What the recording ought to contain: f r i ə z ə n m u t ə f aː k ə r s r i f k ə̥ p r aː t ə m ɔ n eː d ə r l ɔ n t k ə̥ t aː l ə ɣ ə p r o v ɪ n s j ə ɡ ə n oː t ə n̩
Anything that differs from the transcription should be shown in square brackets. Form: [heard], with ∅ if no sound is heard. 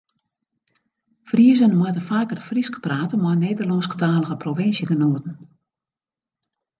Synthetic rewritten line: f r i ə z ə n m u t ə f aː k ə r [f] r i [s] k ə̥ p r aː t ə m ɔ n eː d ə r l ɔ n [s] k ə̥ t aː l ə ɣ ə p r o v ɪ n s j ə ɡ ə n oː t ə n̩